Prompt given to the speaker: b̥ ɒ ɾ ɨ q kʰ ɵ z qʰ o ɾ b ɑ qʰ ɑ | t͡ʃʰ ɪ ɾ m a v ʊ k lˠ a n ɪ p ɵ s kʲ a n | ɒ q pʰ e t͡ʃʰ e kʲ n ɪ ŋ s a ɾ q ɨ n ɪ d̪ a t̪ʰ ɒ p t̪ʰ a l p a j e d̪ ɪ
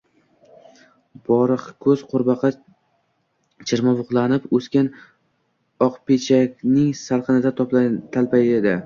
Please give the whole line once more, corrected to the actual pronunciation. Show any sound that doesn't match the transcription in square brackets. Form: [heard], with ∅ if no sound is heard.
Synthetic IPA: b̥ ɒ ɾ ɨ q kʰ ɵ z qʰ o ɾ b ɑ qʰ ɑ | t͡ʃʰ ɪ ɾ m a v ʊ [q] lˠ a n ɪ p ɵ s kʲ a n | ɒ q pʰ e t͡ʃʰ [a] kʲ n ɪ ŋ s a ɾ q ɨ n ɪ d̪ a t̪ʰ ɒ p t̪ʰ a l p a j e d̪ ɪ